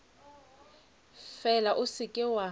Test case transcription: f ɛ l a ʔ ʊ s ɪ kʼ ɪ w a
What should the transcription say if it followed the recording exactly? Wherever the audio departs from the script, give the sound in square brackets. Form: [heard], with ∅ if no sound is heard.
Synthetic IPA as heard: f ɛ l a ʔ ʊ s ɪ kʼ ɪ w a